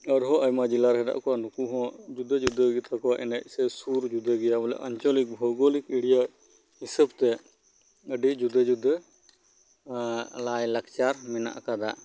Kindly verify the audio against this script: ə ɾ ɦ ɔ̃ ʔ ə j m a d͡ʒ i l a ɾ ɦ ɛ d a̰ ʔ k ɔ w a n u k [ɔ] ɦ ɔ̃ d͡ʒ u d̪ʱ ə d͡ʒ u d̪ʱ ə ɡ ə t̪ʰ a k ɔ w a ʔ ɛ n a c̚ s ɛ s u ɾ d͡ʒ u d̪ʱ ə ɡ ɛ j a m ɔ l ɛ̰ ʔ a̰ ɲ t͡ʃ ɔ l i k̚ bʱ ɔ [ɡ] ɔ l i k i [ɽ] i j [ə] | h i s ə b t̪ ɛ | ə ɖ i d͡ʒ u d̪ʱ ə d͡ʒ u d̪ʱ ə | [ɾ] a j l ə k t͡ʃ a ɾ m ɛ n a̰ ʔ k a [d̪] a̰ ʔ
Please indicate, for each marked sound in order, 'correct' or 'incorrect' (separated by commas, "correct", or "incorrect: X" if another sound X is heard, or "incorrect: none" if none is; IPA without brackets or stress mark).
incorrect: u, correct, correct, incorrect: a, incorrect: l, correct